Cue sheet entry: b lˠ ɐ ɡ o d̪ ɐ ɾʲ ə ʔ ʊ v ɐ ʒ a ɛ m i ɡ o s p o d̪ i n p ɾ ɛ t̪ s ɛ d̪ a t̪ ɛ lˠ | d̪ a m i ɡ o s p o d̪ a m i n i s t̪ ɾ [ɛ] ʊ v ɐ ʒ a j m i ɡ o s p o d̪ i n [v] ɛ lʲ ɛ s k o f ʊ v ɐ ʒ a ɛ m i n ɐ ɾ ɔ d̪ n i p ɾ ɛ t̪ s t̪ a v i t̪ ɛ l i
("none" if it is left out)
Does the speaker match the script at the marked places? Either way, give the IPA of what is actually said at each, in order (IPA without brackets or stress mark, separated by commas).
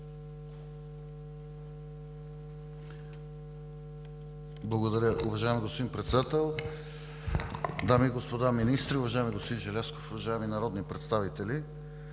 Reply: i, ʒ